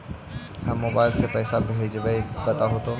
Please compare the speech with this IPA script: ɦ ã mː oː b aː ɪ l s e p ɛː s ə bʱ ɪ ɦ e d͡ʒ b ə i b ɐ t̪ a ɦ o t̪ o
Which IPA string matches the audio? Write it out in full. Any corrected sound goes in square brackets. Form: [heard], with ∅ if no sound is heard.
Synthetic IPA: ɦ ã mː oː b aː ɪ l s e p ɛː s [a] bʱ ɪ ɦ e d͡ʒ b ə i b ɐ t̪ a ɦ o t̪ o

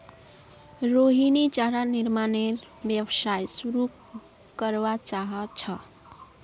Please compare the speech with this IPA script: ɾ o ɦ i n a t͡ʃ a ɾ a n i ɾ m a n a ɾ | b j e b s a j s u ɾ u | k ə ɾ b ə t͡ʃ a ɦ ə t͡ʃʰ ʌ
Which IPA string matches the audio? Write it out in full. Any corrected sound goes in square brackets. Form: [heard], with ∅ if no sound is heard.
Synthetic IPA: ɾ o ɦ i n [i] t͡ʃ a ɾ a n i ɾ m a n [e] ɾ | b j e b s a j s u ɾ u | k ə ɾ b [a] t͡ʃ a ɦ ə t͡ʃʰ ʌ

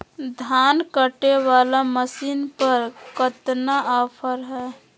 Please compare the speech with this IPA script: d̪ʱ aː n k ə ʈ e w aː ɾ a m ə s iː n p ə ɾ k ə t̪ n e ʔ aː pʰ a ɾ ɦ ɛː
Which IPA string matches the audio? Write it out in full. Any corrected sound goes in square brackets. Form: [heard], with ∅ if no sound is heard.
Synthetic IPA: d̪ʱ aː n k ə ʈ e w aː [l] a m ə s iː n p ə ɾ k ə t̪ n [a] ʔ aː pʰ [ə] ɾ ɦ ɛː

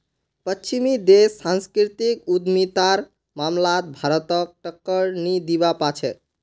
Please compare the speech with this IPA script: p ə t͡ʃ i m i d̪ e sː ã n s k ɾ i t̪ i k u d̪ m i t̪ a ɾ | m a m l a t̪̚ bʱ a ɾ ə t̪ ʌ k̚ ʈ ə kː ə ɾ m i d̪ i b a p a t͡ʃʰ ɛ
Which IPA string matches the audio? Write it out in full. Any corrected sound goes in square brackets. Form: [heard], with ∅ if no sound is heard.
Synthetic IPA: p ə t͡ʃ i m i d̪ e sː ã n s k ɾ i t̪ i k u d̪ m i t̪ a ɾ | m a m l a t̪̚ bʱ a ɾ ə t̪ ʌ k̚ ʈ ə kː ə ɾ [n] i d̪ i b a p a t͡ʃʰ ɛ

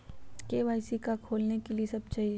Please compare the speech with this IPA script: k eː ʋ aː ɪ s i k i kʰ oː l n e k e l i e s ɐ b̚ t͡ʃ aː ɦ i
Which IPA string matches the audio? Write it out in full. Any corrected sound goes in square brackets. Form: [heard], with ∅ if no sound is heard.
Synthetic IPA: k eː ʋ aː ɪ s i k [a] kʰ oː l n e k e l i e s ɐ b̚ t͡ʃ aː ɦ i

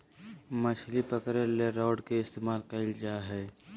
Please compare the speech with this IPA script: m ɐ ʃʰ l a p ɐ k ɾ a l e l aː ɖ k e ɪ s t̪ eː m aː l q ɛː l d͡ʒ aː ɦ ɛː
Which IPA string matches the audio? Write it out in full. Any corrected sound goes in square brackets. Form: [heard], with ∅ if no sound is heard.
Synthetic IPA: m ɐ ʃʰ l [i] p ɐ k ɾ [e] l e [ɾ] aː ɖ k e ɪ s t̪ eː m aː l q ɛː l d͡ʒ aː ɦ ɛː

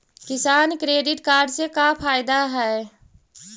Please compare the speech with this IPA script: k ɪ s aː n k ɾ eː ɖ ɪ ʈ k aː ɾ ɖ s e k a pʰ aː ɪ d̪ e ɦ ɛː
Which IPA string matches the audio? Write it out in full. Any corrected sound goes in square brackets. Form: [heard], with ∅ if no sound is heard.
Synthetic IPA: k ɪ s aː n k ɾ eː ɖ ɪ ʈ k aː ɾ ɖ s e k a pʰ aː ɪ d̪ [a] ɦ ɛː

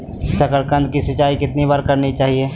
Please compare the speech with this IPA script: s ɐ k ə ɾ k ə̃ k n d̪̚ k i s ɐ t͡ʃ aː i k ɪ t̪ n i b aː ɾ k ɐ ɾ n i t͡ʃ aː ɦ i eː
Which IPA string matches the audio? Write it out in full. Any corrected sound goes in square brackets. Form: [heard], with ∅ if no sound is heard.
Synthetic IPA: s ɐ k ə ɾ k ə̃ [∅] n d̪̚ k i s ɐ t͡ʃ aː i k ɪ t̪ n i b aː ɾ k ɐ ɾ n i t͡ʃ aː ɦ i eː

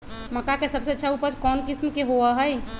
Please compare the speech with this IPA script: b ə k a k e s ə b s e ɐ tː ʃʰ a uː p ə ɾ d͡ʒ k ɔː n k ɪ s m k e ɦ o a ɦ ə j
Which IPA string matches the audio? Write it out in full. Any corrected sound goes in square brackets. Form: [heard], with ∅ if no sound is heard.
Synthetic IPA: [m] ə k a k e s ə b s e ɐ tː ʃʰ a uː p ə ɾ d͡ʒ k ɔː n k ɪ s m k e ɦ o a ɦ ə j

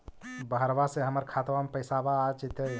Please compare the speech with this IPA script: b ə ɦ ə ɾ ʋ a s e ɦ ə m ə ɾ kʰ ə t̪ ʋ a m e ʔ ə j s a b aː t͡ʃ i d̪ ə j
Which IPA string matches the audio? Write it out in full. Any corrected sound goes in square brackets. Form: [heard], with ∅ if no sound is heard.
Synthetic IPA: b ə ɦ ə ɾ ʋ a s e ɦ ə m ə ɾ kʰ [a] t̪ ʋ a m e [p] ə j s a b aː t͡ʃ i [t̪] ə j

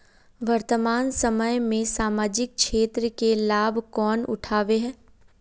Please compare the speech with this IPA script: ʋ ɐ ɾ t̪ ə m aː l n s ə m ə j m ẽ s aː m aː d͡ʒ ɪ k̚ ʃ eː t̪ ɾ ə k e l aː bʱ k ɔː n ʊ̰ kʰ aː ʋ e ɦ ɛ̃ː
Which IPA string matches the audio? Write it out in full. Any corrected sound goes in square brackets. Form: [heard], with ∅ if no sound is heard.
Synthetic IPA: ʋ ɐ ɾ t̪ ə m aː [∅] n s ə m ə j m ẽ s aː m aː d͡ʒ ɪ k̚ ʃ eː t̪ ɾ ə k e l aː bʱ k ɔː n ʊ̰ [ʈʰ] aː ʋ e ɦ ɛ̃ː

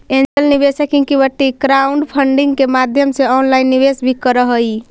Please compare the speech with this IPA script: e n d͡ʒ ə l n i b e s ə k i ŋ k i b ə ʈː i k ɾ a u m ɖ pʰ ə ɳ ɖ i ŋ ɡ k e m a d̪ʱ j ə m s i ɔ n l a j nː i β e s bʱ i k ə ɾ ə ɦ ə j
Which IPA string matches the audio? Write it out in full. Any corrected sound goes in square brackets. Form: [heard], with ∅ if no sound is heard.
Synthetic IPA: e n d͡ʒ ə l n i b e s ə k i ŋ k i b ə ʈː i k ɾ a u [ɳ] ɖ pʰ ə ɳ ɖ i ŋ ɡ k e m a d̪ʱ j ə m s [e] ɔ n l a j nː i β e s bʱ i k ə ɾ ə ɦ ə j

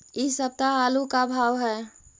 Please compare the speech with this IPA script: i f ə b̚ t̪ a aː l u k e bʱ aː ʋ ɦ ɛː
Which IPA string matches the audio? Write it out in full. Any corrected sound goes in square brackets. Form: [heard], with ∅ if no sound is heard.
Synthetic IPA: i [s] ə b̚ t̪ a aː l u k [a] bʱ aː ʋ ɦ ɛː

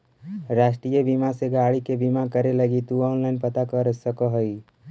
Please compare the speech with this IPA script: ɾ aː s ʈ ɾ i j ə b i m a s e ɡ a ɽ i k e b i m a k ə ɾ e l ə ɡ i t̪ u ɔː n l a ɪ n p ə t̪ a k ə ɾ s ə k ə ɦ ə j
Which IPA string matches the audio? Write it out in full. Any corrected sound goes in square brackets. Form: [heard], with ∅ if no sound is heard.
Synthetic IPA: ɾ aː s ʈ ɾ i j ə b i m a s e ɡ a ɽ i k e b i m a k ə ɾ e l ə ɡ i t̪ u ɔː n l a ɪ n p ə t̪ a k ə ɾ s ə k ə ɦ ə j

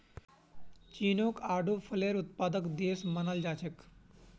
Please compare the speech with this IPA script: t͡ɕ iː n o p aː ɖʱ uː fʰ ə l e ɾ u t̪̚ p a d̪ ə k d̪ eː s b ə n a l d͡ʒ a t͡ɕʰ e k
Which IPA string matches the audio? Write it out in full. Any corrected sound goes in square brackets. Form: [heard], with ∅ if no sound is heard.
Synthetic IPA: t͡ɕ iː n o [k] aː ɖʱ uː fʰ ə l e ɾ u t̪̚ p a d̪ ə k d̪ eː s [m] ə n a l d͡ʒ a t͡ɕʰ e k

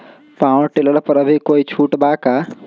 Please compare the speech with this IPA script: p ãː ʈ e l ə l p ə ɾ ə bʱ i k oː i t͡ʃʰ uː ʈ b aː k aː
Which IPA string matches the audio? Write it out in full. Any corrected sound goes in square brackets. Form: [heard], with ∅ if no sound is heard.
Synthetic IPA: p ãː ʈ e l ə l p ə ɾ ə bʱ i k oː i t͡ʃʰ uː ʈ b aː k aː

